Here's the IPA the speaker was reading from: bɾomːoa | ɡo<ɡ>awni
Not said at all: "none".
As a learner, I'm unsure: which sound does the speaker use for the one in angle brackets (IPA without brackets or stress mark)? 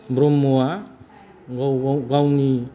ɡ